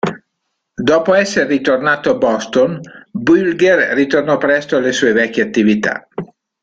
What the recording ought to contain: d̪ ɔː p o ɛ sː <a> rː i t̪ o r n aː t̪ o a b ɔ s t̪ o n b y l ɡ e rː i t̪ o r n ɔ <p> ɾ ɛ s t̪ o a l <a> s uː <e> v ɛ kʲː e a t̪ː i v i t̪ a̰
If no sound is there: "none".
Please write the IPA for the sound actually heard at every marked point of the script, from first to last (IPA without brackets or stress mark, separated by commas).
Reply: e, p, e, e